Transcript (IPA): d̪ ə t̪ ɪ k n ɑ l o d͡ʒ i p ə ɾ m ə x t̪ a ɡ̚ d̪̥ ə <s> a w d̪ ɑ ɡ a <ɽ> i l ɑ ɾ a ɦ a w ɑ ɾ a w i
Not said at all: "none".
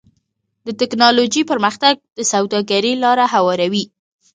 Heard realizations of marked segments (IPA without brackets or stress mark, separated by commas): s, ɾ